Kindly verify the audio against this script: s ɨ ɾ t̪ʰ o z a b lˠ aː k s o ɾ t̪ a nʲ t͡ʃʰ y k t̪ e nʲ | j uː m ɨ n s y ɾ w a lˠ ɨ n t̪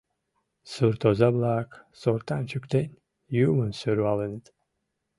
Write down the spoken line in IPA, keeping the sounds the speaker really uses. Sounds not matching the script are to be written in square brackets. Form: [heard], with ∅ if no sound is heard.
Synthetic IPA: s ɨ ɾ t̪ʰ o z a b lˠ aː k s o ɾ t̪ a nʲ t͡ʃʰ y k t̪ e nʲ | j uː m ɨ n s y ɾ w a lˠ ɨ n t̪